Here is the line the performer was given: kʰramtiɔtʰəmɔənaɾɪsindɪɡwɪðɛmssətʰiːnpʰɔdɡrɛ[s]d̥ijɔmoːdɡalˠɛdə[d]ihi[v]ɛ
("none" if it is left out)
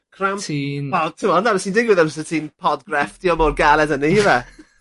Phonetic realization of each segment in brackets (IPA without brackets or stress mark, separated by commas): f, n, v